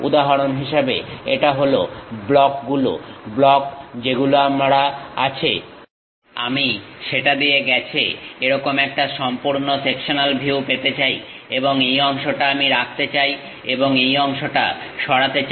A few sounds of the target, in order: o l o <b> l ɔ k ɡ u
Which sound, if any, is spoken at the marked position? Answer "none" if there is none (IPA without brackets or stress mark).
b